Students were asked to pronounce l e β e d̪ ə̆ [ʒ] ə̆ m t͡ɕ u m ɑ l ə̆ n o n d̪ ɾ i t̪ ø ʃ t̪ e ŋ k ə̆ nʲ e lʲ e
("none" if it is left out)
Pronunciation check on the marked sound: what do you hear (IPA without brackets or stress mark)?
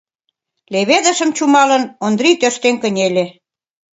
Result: ʃ